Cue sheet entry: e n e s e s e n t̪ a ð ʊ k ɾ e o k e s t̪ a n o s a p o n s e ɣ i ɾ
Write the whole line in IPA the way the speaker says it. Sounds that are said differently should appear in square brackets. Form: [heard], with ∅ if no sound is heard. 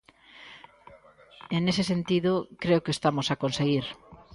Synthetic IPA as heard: e n e s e s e n t̪ [i] ð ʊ k ɾ e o k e s t̪ a [m] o s a [k] o n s e ɣ i ɾ